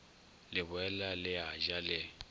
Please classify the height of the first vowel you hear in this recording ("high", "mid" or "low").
high